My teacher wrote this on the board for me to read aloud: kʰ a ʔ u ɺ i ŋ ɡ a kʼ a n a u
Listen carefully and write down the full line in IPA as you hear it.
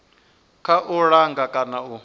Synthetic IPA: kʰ a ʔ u ɺ a ŋ ɡ a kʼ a n a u